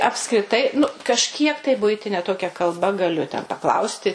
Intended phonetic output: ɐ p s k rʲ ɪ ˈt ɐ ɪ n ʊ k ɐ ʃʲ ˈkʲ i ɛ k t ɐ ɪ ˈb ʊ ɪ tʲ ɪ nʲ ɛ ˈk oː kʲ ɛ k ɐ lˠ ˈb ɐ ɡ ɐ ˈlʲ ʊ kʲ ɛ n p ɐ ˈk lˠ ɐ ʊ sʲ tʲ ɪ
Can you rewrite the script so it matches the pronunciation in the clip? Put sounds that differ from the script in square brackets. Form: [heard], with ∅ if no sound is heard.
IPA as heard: ɐ p s k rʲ ɪ ˈt ɐ ɪ n ʊ k ɐ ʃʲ ˈkʲ i ɛ k t ɐ ɪ ˈb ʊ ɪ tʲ ɪ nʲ ɛ [ˈt] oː kʲ ɛ k ɐ lˠ ˈb ɐ ɡ ɐ ˈlʲ ʊ [tʲ] ɛ n p ɐ ˈk lˠ ɐ ʊ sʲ tʲ ɪ

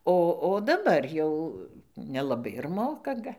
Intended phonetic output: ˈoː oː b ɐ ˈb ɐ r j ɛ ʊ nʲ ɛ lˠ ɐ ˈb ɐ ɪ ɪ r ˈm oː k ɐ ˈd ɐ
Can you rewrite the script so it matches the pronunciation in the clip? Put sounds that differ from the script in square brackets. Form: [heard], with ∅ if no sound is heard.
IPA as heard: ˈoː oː [d] ɐ ˈb ɐ r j ɛ ʊ nʲ ɛ lˠ ɐ ˈb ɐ ɪ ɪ r ˈm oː k ɐ [ˈɡ] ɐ

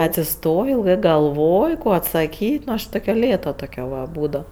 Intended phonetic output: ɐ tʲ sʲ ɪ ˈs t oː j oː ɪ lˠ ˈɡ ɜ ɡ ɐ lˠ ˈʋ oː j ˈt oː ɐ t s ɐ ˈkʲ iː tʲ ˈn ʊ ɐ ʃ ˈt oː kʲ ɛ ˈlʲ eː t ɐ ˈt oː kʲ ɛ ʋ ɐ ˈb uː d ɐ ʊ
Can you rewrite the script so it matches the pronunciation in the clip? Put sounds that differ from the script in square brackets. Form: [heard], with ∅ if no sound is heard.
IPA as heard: ɐ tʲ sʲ ɪ ˈs t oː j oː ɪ lˠ ˈɡ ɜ ɡ ɐ lˠ ˈʋ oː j [ˈk] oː ɐ t s ɐ ˈkʲ iː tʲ ˈn ʊ ɐ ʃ ˈt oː kʲ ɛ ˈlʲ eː t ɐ ˈt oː kʲ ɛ ʋ ɐ ˈb uː d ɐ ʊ

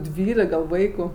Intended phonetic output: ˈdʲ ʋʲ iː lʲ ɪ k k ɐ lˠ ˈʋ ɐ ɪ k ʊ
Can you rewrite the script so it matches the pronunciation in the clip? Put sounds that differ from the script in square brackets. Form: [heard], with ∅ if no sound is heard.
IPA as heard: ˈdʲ ʋʲ iː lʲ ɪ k [ɡ] ɐ lˠ ˈʋ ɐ ɪ k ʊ

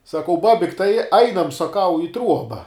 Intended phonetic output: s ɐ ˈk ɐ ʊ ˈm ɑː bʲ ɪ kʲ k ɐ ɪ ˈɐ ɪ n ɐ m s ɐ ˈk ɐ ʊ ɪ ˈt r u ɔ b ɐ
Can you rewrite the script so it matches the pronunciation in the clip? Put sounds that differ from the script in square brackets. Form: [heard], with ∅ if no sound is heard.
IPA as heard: s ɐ ˈk ɐ ʊ [ˈb] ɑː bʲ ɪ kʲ [t] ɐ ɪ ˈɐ ɪ n ɐ m s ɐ ˈk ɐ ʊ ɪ ˈt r u ɔ b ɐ

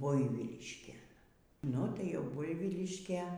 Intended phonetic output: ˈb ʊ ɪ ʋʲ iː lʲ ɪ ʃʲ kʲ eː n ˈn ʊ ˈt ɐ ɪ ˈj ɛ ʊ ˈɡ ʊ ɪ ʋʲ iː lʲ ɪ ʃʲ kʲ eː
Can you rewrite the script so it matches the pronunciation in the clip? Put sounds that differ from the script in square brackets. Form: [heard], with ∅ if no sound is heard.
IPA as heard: ˈb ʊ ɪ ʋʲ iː lʲ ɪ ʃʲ kʲ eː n ˈn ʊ ˈt ɐ ɪ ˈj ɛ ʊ [ˈb] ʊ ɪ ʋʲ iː lʲ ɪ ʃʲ kʲ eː

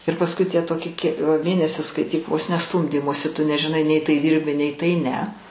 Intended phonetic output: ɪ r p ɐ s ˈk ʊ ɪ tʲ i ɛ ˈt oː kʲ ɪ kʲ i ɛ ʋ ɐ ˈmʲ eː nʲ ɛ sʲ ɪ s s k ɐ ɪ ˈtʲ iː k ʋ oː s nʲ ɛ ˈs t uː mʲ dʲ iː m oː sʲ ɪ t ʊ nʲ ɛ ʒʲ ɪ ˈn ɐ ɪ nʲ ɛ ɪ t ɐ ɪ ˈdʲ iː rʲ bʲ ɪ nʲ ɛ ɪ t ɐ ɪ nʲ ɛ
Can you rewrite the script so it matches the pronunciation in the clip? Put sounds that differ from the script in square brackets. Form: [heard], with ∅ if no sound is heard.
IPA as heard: ɪ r p ɐ s ˈk ʊ ɪ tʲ i ɛ ˈt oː kʲ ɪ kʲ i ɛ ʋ ɐ ˈmʲ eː nʲ ɛ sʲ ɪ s s k ɐ ɪ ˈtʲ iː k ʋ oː s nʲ ɛ ˈs t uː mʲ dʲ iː m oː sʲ ɪ t ʊ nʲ ɛ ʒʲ ɪ ˈn ɐ ɪ nʲ ɛ ɪ t ɐ ɪ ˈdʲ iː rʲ bʲ ɪ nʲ ɛ ɪ t ɐ ɪ nʲ ɛ

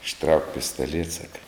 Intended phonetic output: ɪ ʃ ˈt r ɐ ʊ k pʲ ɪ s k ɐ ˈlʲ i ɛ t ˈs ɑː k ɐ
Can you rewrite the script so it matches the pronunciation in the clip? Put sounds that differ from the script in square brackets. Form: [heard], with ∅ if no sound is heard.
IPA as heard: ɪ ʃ ˈt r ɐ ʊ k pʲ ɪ s [t] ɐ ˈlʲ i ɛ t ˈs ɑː k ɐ

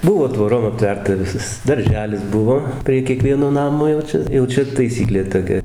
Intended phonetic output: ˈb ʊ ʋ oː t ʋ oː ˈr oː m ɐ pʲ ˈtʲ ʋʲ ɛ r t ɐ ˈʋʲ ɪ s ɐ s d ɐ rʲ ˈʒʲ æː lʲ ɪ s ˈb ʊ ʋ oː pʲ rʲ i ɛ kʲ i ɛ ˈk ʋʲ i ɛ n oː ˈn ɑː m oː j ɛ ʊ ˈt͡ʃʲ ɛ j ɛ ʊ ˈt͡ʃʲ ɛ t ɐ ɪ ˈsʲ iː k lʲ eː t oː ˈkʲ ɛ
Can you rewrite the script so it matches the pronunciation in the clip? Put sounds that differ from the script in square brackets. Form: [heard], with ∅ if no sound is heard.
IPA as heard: ˈb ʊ ʋ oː t ʋ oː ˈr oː m ɐ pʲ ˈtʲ ʋʲ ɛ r t ɐ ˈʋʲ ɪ s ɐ s d ɐ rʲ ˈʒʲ æː lʲ ɪ s ˈb ʊ ʋ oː pʲ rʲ i ɛ kʲ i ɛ ˈk ʋʲ i ɛ n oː ˈn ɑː m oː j ɛ ʊ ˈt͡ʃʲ ɛ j ɛ ʊ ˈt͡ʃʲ ɛ t ɐ ɪ ˈsʲ iː k lʲ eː t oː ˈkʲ ɛ

